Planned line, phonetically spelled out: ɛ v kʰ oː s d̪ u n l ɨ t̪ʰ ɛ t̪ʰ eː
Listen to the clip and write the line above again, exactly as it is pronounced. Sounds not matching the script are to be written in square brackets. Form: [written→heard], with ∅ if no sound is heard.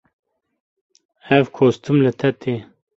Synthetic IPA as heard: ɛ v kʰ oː s [d̪→t̪] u [n→m] l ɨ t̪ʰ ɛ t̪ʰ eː